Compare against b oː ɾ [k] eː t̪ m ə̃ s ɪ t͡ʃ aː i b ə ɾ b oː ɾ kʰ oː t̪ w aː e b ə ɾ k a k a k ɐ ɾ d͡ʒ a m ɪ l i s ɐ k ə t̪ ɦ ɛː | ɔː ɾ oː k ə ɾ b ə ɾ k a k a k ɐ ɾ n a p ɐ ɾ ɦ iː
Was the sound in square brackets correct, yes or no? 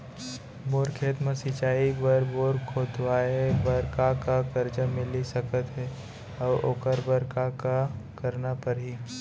no